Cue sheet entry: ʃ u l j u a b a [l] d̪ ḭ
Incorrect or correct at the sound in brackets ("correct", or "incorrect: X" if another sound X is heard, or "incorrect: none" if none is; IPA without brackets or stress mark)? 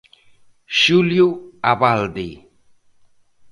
correct